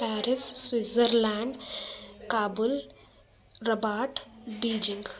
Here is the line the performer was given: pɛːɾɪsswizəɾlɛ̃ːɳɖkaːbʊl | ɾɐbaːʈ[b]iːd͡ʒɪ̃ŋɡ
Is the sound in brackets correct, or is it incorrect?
correct